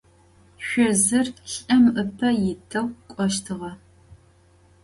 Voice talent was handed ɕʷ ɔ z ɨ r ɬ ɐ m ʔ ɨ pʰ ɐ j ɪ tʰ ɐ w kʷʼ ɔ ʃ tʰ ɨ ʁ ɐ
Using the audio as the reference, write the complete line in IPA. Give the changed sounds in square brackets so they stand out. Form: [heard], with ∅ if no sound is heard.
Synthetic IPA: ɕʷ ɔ z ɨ r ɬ ɐ m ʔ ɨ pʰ ɐ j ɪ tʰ ɐ w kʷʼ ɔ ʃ tʰ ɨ ʁ ɐ